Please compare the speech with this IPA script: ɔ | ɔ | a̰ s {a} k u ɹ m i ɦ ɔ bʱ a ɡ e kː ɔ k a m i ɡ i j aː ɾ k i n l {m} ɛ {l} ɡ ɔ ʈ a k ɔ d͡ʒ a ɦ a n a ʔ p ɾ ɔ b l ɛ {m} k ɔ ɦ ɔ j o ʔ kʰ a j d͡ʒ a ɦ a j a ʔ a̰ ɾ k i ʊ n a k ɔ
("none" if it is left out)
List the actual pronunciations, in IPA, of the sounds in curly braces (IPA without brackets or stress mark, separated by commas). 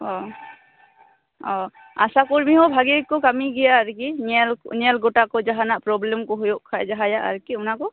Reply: a, n, l, m